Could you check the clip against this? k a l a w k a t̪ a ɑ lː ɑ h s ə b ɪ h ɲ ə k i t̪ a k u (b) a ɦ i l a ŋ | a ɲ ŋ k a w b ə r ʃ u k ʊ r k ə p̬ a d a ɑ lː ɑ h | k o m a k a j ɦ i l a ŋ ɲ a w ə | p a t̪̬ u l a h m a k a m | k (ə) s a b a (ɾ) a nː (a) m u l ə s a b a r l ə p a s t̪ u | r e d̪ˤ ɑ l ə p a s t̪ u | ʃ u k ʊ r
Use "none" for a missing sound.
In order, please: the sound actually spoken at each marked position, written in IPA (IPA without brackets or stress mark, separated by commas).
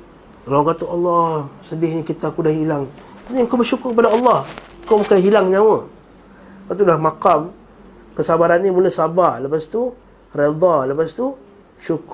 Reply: d, ə, ɾ, i